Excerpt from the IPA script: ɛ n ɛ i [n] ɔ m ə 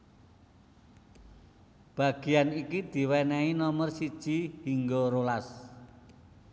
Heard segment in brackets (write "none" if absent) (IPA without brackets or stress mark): n